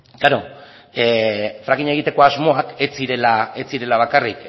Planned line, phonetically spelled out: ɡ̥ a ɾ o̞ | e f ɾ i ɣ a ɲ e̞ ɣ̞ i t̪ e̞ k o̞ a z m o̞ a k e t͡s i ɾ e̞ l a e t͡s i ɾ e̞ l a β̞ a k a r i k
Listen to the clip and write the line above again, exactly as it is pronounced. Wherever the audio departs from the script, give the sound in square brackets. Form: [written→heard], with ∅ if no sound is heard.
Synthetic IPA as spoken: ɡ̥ a ɾ o̞ | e f ɾ [i→a] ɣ [a→i] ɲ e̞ ɣ̞ i t̪ e̞ k o̞ a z m o̞ a k e t͡s i ɾ e̞ l a e t͡s i ɾ e̞ l a β̞ a k a r i k